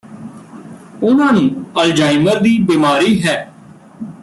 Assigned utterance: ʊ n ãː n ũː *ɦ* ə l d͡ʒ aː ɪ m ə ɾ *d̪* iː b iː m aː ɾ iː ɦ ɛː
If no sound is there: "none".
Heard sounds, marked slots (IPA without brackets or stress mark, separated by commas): none, d̪